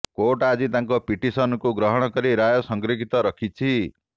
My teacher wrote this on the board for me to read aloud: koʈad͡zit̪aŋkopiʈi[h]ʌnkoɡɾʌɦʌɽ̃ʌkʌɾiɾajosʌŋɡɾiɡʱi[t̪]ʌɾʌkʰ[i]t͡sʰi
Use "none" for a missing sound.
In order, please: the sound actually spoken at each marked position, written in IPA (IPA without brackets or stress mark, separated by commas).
s, t̪, i